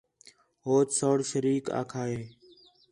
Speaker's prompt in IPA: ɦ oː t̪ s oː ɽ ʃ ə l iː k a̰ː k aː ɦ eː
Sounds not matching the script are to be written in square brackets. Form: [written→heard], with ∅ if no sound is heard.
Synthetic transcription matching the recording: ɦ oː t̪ s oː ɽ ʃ ə [l→ɾ] iː k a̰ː [k→kʰ] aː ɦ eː